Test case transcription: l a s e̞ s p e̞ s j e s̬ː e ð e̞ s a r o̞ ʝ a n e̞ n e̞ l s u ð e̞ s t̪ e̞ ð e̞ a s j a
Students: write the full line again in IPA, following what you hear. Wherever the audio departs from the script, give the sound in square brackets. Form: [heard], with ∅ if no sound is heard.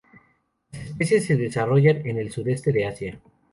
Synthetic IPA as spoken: l a s e̞ s p e̞ s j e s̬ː e ð e̞ s a r o̞ ʝ a n e̞ n e̞ l s u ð e̞ s t̪ e̞ ð e̞ a s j a